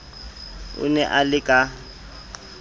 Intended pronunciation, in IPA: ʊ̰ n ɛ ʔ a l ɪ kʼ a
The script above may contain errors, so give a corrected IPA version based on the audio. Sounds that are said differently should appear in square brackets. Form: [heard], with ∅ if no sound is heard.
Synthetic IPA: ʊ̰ n ɛ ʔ a l ɪ kʼ a